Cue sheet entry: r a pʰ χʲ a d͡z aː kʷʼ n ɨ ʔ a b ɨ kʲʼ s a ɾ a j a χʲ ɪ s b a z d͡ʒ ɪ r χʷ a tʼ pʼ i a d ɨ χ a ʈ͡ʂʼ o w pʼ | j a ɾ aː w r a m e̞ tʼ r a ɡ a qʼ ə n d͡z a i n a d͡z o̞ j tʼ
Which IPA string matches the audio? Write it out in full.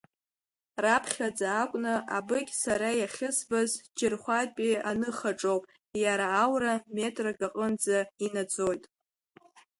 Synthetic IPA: r a pʰ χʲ a d͡z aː kʷʼ n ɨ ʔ a b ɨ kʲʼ s a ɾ a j a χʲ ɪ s b a z d͡ʒ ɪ r χʷ a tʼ pʼ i a n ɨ χ a ʈ͡ʂʼ o w pʼ | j a ɾ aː w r a m e̞ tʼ r a ɡ a qʼ ə n d͡z a i n a d͡z o̞ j tʼ